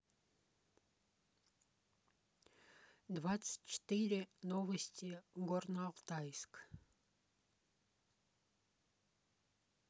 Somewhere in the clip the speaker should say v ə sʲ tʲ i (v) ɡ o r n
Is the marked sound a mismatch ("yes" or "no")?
yes